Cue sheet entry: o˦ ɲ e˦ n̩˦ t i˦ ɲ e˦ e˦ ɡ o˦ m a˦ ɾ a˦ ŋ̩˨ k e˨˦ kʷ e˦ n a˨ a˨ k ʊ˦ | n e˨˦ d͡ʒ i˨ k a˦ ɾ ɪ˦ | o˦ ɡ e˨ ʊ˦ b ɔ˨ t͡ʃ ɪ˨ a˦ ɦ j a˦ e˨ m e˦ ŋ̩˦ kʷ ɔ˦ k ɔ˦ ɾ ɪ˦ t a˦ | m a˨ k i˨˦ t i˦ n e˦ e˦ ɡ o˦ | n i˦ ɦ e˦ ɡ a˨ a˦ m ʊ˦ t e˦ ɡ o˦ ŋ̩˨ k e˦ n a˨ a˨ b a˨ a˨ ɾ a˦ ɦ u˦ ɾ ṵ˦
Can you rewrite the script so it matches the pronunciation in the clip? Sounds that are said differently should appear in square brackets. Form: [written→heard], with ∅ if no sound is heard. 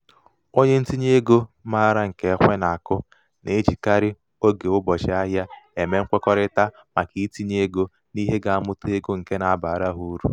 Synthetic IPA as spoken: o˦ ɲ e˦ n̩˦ t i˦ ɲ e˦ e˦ ɡ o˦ m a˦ ɾ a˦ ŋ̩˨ k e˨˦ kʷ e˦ n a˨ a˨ k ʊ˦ | n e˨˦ d͡ʒ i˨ k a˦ ɾ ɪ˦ | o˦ ɡ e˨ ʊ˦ b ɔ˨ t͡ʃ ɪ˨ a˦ ɦ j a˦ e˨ m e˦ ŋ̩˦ kʷ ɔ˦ k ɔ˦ ɾ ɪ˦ t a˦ | m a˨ k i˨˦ t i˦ [n→ɲ] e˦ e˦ ɡ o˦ | n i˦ ɦ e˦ ɡ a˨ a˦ m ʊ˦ t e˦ ɡ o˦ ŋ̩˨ k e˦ n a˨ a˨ b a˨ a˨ ɾ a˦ ɦ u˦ ɾ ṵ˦